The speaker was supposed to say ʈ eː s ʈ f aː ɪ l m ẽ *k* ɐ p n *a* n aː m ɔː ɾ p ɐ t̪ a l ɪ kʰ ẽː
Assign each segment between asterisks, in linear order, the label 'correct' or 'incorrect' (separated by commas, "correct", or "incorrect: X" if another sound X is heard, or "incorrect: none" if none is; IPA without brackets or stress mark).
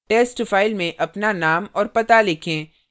incorrect: ʔ, correct